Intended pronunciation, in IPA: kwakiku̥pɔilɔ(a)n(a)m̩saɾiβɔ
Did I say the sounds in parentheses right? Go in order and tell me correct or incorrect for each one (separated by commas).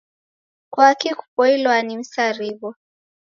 correct, incorrect